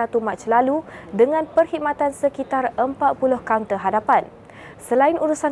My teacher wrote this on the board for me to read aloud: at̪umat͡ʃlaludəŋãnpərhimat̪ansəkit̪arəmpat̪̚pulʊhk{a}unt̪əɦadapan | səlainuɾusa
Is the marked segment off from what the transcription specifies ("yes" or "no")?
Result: no